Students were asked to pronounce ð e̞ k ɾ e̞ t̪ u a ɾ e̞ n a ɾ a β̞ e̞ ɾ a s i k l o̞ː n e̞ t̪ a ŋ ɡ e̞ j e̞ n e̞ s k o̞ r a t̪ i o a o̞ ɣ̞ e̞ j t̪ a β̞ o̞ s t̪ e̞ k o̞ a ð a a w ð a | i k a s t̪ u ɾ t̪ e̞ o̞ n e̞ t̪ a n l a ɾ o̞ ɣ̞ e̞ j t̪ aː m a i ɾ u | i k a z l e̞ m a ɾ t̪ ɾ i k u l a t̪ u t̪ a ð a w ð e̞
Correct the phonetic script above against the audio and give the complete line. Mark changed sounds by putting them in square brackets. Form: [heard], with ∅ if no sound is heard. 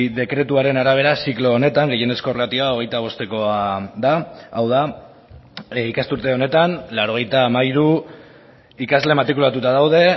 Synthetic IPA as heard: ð e̞ k ɾ e̞ t̪ u a ɾ e̞ n a ɾ a β̞ e̞ ɾ a s i k l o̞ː n e̞ t̪ a ŋ ɡ e̞ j e̞ n e̞ s k o̞ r a t̪ i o a o̞ ɣ̞ e̞ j t̪ a β̞ o̞ s t̪ e̞ k o̞ a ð a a w ð a | i k a s t̪ u ɾ t̪ e̞ o̞ n e̞ t̪ a n l a ɾ o̞ ɣ̞ e̞ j t̪ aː m a i ɾ u | i k a z l e̞ m a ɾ t̪ ɾ i k u l a t̪ u t̪ a ð a w ð e̞